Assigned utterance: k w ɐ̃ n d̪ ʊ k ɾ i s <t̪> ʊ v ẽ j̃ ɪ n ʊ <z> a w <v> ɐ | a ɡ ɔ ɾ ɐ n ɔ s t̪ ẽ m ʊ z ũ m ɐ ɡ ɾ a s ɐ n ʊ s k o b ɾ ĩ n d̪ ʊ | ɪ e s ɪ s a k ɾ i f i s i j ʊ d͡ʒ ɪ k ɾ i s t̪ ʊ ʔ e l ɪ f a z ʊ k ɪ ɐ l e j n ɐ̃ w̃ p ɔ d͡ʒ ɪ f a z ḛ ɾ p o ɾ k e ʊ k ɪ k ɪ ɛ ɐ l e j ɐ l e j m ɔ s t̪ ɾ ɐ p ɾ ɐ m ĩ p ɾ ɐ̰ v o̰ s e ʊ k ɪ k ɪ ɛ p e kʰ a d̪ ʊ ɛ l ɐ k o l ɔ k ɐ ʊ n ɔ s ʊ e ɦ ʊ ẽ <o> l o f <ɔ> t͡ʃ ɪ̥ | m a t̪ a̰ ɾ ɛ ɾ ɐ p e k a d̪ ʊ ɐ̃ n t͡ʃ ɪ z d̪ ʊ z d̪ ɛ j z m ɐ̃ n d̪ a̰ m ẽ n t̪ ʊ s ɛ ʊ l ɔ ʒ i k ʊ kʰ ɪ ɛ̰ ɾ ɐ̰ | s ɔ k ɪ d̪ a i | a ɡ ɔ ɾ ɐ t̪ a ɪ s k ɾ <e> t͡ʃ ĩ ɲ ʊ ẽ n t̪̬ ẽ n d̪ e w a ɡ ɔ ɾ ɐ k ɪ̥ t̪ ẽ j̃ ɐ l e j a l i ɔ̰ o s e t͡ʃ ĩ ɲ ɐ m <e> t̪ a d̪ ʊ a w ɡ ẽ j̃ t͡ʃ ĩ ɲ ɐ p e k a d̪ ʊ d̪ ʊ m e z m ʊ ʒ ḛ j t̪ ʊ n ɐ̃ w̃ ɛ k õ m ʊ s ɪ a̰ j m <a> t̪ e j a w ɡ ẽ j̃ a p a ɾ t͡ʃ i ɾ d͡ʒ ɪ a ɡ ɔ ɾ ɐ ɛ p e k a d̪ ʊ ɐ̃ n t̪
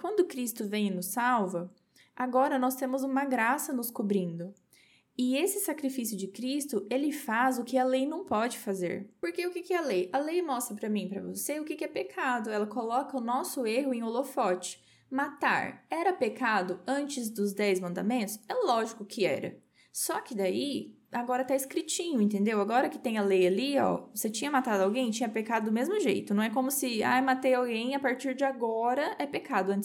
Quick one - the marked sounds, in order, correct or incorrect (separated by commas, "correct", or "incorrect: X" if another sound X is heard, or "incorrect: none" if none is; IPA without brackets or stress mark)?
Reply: correct, incorrect: s, correct, correct, correct, incorrect: i, incorrect: a, correct